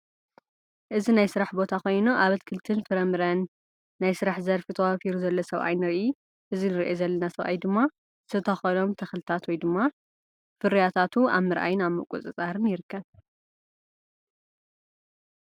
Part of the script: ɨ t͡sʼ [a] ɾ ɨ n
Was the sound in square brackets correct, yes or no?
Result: yes